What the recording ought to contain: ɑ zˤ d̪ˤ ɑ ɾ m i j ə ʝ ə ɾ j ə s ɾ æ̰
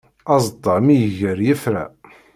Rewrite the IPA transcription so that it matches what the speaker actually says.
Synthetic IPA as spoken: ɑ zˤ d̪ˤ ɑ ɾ m i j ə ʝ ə ɾ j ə f ɾ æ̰